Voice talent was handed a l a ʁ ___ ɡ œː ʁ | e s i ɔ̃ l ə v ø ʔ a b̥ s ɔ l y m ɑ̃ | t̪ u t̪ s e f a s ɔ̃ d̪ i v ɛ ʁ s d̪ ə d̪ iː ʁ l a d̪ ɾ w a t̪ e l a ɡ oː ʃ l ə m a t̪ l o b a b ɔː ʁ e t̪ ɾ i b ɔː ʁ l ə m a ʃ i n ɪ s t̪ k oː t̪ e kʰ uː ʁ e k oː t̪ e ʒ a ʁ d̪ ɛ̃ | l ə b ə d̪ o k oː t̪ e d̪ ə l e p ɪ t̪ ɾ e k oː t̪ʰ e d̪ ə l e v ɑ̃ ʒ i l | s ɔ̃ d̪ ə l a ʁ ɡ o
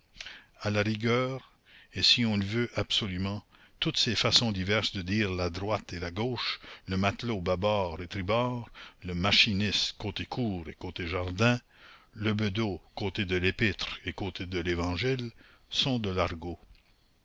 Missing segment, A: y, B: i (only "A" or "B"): B